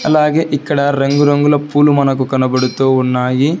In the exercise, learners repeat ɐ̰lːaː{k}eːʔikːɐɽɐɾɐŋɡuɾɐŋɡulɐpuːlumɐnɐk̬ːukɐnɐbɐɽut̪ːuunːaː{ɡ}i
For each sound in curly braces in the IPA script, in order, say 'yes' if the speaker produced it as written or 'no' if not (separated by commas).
no, yes